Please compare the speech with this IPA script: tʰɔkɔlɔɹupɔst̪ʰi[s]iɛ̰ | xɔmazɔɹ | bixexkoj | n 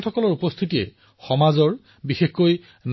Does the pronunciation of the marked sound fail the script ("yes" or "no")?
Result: yes